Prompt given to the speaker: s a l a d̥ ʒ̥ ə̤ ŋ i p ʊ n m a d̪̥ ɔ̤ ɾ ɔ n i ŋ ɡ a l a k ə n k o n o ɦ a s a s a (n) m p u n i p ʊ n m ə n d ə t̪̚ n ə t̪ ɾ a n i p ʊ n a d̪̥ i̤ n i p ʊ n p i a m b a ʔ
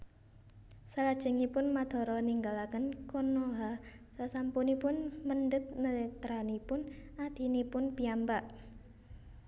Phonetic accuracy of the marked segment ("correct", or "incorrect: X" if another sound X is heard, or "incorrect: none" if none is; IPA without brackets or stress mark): incorrect: none